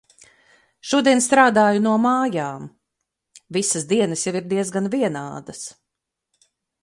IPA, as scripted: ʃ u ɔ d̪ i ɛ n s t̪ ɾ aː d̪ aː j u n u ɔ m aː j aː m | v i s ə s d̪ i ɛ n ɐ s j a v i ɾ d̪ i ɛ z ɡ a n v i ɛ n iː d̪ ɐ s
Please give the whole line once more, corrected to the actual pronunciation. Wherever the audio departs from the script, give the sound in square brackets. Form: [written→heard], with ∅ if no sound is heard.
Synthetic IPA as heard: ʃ u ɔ d̪ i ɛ n s t̪ ɾ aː d̪ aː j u n u ɔ m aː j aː m | v i s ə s d̪ i ɛ n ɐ s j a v i ɾ d̪ i ɛ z ɡ a n v i ɛ n [iː→aː] d̪ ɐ s